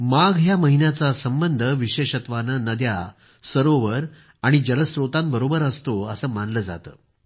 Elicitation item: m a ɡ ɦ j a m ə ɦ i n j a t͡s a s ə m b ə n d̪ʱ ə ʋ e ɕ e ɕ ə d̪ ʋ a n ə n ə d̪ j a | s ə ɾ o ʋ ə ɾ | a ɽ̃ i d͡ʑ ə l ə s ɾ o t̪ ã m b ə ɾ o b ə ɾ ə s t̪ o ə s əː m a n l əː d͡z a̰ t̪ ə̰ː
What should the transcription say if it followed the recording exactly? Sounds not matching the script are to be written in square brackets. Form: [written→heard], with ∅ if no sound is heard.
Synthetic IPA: m a ɡ ɦ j a m ə ɦ i n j a t͡s a s ə m b ə n d̪ʱ ə ʋ [e→i] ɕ e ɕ ə [d̪→t̪] ʋ a n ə n ə d̪ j a | s ə ɾ o ʋ ə ɾ | a ɽ̃ i d͡ʑ ə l ə s ɾ o t̪ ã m b ə ɾ o b ə ɾ ə s t̪ o ə s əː m a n l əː d͡z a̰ t̪ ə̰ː

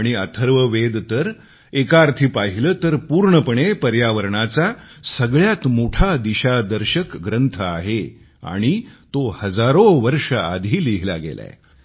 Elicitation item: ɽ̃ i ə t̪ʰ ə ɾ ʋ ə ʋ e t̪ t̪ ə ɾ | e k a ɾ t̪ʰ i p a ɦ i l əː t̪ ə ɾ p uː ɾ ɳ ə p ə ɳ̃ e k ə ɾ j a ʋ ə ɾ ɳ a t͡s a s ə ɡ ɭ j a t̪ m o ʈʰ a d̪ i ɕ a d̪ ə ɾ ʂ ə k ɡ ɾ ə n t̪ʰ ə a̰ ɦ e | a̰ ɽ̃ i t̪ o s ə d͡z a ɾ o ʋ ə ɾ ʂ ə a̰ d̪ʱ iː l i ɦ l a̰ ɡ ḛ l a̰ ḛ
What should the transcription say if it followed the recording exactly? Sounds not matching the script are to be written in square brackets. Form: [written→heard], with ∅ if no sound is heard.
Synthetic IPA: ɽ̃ i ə t̪ʰ ə ɾ ʋ ə ʋ e [t̪→d̪] t̪ ə ɾ | e k a ɾ t̪ʰ i p a ɦ i l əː t̪ ə ɾ p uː ɾ ɳ ə p ə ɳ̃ e [k→p] ə ɾ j a ʋ ə ɾ ɳ a t͡s a s ə ɡ ɭ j a t̪ m o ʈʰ a d̪ i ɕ a d̪ ə ɾ [ʂ→ɕ] ə k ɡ ɾ ə n t̪ʰ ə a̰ ɦ e | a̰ ɽ̃ i t̪ o [s→h] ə d͡z a ɾ o ʋ ə ɾ ʂ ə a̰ d̪ʱ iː l i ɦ l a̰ ɡ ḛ l a̰ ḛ

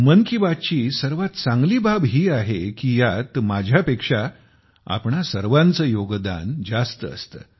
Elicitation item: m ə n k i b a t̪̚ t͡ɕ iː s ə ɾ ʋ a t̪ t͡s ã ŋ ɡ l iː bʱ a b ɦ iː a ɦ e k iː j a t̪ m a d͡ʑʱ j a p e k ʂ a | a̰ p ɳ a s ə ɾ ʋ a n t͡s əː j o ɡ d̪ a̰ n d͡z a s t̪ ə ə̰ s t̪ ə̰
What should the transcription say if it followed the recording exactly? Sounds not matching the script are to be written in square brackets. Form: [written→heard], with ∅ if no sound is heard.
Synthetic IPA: m ə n k i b a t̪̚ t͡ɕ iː s ə ɾ ʋ a t̪ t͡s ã ŋ ɡ l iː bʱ a b ɦ iː a ɦ e k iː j a t̪ m a d͡ʑʱ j a p e k ʂ a | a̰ p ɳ a s ə ɾ ʋ a n t͡s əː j o ɡ d̪ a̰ n d͡z a s t̪ ə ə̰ s t̪ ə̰

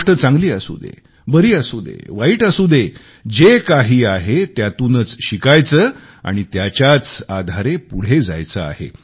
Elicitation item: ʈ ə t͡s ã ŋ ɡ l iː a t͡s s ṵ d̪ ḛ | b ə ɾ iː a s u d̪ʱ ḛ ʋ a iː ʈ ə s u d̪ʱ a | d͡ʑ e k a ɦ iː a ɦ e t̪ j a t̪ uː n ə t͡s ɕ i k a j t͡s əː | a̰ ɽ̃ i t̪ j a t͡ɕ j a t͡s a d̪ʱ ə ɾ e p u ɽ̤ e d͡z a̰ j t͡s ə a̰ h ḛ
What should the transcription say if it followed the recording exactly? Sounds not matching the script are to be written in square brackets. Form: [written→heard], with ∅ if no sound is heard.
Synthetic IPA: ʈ ə t͡s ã ŋ ɡ l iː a [t͡s→∅] s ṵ d̪ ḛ | b ə ɾ iː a s u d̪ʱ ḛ ʋ a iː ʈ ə s u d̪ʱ [a→e] | d͡ʑ e k a ɦ iː a ɦ e t̪ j a t̪ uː n ə t͡s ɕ i k a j t͡s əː | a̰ ɽ̃ i t̪ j a t͡ɕ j a t͡s a d̪ʱ [ə→a] ɾ e p u ɽ̤ e d͡z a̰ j t͡s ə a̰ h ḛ

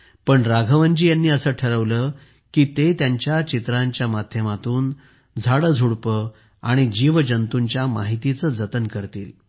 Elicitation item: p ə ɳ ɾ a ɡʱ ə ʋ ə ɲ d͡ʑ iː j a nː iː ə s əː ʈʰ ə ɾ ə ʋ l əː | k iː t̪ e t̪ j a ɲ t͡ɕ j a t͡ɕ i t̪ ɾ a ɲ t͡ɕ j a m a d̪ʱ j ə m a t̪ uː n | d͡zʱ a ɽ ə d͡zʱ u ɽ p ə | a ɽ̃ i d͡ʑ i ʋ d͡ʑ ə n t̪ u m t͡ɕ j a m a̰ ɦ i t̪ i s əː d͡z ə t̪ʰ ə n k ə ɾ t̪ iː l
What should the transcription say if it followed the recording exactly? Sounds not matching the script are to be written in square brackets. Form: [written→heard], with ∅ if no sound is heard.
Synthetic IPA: p ə ɳ ɾ a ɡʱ ə ʋ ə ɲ d͡ʑ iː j a nː iː ə s əː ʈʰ ə ɾ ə ʋ l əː | k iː t̪ e t̪ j a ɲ t͡ɕ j a t͡ɕ i t̪ ɾ a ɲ t͡ɕ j a m a d̪ʱ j ə m a t̪ uː n | d͡zʱ a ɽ ə d͡zʱ u ɽ p ə | a ɽ̃ i d͡ʑ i ʋ d͡ʑ ə n t̪ u [m→ɲ] t͡ɕ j a m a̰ ɦ i t̪ i [s→t͡s] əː d͡z ə [t̪ʰ→t̪] ə n k ə ɾ t̪ iː l

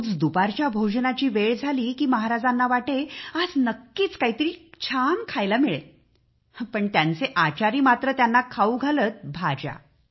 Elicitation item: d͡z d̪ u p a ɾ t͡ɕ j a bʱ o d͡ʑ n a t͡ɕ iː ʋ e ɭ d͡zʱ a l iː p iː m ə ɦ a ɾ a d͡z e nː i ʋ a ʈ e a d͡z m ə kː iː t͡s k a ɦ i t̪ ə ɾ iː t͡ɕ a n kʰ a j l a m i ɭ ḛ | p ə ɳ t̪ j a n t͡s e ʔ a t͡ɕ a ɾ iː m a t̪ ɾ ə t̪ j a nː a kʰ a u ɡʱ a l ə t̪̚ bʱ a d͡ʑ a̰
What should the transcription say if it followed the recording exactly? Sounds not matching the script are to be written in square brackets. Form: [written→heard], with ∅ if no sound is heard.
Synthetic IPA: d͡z d̪ u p a ɾ t͡ɕ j a bʱ o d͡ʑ n a t͡ɕ iː ʋ e ɭ d͡zʱ a l iː [p→k] iː m ə ɦ a ɾ a d͡z [e→a] nː [i→a] ʋ a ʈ e a d͡z [m→n] ə kː iː t͡s k a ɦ i t̪ ə ɾ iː [t͡ɕ→t͡ɕʰ] a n kʰ a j l a m i ɭ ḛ | p ə ɳ t̪ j a n t͡s e ʔ a t͡ɕ a ɾ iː m a t̪ ɾ ə t̪ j a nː a kʰ a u ɡʱ a l ə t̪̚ bʱ a d͡ʑ a̰

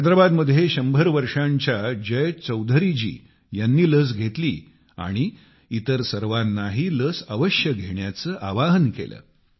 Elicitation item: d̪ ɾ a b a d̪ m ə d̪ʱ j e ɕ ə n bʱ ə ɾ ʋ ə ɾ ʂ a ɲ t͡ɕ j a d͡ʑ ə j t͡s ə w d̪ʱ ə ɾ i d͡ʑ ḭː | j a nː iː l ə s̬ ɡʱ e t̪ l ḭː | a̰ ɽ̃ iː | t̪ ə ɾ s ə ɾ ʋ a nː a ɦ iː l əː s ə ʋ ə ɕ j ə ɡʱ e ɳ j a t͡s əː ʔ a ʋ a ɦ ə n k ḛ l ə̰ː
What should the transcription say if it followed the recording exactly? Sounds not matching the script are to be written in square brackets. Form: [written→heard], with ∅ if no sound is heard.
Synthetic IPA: d̪ ɾ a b a d̪ m ə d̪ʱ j e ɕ ə [n→m] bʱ ə ɾ ʋ ə ɾ ʂ a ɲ t͡ɕ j a d͡ʑ ə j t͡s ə w d̪ʱ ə ɾ i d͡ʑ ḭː | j a nː iː l ə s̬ ɡʱ e t̪ l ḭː | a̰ ɽ̃ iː | t̪ ə ɾ s ə ɾ ʋ a nː a ɦ iː l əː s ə ʋ ə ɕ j ə ɡʱ e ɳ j a t͡s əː ʔ a ʋ a ɦ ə n k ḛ l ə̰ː

